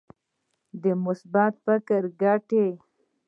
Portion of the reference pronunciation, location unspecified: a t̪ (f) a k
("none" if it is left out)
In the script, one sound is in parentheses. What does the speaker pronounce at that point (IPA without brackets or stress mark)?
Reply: f